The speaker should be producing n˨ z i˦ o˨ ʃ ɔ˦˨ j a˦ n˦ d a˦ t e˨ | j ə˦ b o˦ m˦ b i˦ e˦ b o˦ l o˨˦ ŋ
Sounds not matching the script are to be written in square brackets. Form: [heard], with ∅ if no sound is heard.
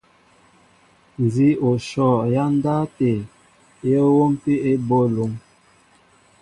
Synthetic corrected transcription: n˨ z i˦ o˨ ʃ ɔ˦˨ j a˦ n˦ d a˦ t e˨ | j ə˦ [w] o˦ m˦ [p] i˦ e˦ b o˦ l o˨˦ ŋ